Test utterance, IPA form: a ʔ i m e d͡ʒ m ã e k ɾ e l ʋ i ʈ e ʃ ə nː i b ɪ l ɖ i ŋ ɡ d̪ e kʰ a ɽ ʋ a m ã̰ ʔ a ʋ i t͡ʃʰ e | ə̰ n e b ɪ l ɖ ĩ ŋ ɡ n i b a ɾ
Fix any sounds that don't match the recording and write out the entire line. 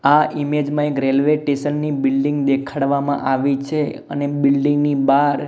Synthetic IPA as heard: a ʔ i m e d͡ʒ m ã e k ɾ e l ʋ e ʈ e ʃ ə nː i b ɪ l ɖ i ŋ ɡ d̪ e kʰ a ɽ ʋ a m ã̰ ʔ a ʋ i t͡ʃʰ e | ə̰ n e b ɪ l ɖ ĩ ŋ ɡ n i b a ɾ